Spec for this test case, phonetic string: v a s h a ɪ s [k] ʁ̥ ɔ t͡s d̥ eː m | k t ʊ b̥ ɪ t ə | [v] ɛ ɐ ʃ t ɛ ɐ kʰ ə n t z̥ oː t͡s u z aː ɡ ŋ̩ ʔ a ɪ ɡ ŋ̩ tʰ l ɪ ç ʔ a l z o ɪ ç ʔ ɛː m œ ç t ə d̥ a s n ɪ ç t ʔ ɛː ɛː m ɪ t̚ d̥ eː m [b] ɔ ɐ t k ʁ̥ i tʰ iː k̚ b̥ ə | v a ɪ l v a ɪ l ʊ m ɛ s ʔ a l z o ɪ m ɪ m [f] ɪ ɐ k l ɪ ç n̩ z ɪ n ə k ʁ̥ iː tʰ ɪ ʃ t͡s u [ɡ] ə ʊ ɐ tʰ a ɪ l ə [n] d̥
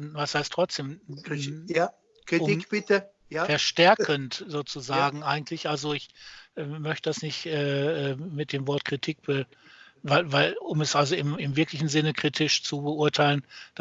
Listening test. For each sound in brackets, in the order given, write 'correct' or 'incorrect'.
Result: incorrect, incorrect, incorrect, incorrect, incorrect, correct

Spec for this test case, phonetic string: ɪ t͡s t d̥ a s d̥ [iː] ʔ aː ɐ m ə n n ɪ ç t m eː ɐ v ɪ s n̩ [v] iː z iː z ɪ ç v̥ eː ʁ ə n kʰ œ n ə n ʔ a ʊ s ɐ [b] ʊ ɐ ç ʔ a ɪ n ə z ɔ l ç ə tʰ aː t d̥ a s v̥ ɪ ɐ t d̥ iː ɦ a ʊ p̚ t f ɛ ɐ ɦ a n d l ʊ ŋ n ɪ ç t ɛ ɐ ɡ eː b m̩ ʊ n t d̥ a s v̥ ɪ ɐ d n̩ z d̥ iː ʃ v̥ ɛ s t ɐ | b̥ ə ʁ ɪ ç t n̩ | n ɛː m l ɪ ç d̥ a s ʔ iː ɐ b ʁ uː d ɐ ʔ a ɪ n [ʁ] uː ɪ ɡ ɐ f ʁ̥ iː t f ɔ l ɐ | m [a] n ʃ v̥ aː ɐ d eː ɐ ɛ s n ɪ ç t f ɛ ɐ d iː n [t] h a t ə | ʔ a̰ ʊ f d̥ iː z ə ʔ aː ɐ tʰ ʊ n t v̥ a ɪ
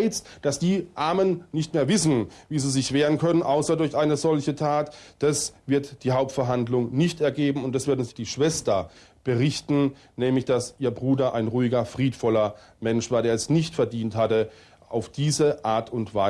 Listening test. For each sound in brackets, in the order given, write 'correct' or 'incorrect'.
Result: correct, correct, incorrect, correct, incorrect, correct

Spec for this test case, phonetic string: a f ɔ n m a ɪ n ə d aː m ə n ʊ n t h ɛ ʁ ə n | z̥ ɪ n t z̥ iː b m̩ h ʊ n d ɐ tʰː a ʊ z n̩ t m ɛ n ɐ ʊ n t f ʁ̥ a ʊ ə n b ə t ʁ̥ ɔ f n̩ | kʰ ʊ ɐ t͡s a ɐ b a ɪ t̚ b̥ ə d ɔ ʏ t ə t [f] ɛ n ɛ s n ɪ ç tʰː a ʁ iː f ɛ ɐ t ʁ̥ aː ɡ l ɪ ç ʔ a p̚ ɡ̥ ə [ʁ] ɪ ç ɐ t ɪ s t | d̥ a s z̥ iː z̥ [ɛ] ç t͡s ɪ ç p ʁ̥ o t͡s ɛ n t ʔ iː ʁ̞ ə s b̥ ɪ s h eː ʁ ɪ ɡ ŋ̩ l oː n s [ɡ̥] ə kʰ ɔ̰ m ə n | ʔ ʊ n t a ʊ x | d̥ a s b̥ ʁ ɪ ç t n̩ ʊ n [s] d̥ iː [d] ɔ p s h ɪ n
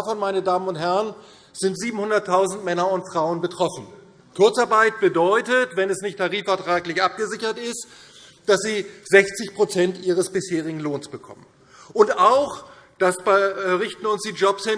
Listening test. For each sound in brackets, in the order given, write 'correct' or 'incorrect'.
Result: incorrect, incorrect, correct, incorrect, correct, incorrect

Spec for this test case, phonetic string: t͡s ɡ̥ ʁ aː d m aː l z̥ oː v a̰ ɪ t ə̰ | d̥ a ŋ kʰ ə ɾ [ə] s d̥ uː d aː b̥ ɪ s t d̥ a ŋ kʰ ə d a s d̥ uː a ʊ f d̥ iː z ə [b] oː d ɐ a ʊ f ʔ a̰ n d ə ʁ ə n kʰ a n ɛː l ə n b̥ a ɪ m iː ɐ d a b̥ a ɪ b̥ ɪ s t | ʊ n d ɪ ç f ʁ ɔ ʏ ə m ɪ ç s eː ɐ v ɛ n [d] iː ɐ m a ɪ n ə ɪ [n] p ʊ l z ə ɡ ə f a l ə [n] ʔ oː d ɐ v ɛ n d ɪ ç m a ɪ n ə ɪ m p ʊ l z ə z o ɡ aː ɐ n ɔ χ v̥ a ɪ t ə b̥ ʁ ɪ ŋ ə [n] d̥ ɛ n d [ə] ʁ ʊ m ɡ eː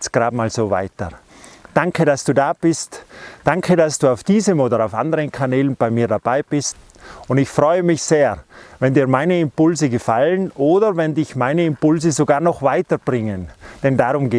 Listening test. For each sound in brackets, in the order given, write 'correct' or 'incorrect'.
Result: incorrect, incorrect, correct, incorrect, correct, correct, incorrect

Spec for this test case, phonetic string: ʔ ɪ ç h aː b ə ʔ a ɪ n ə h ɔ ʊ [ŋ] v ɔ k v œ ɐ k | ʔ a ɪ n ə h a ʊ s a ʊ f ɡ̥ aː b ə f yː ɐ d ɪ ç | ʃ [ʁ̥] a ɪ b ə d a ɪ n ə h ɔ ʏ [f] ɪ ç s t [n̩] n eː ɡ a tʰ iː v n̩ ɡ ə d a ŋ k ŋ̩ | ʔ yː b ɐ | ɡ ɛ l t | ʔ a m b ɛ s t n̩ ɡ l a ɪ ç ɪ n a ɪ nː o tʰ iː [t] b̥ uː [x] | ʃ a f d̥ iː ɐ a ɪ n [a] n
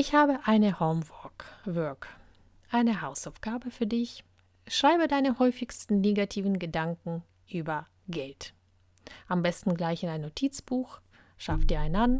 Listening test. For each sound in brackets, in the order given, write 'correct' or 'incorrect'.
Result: incorrect, correct, correct, correct, incorrect, correct, correct

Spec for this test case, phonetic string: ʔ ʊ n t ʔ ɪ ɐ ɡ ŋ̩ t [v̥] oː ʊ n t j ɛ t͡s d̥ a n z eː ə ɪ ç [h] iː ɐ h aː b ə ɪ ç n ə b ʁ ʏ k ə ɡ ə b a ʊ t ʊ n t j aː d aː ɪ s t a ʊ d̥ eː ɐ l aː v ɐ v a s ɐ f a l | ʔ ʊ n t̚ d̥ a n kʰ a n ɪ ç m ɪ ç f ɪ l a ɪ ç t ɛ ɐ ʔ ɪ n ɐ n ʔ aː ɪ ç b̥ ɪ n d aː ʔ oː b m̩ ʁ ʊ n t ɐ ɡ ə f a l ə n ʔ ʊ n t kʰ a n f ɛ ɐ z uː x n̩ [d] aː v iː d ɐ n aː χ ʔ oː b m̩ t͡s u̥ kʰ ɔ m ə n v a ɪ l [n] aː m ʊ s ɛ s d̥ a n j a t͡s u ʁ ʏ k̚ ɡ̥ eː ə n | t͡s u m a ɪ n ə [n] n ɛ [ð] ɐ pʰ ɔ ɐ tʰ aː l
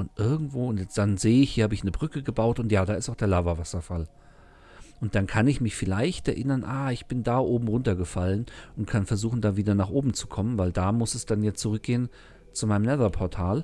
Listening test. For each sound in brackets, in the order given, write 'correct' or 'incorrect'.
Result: correct, correct, correct, incorrect, incorrect, correct

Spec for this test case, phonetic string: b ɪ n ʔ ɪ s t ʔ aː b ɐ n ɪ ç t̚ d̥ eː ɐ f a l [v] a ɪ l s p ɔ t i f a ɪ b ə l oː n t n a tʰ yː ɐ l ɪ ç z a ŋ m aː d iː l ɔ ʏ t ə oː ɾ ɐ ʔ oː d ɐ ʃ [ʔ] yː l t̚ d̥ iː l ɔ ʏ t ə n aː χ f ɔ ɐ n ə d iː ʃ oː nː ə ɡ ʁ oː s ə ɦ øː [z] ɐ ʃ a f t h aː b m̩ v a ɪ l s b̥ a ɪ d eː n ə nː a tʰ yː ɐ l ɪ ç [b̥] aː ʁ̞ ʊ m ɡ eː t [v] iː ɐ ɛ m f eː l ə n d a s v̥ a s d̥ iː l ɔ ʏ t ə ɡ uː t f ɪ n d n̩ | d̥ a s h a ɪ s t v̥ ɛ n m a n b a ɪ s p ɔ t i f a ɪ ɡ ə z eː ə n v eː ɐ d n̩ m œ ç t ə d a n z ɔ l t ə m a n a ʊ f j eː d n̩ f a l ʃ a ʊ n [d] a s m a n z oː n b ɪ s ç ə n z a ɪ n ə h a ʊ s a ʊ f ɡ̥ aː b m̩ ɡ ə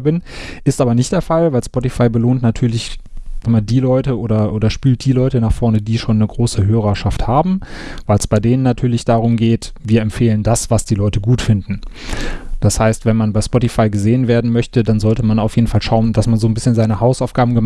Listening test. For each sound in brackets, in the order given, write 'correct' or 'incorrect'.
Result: correct, incorrect, incorrect, incorrect, correct, correct

